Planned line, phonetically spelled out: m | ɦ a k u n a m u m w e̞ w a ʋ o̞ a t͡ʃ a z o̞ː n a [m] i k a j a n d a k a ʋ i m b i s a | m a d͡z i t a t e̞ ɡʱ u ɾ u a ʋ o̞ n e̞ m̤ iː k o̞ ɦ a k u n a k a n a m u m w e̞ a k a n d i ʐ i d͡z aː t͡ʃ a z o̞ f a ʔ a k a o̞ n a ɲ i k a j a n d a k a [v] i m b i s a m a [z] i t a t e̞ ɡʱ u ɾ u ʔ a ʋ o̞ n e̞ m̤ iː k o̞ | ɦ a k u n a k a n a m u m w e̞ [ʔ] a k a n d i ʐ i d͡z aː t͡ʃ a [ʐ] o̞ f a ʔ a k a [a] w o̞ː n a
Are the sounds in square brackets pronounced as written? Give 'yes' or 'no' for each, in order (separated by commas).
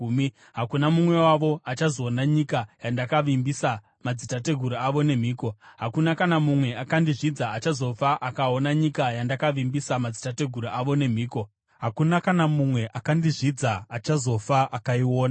no, no, no, yes, no, no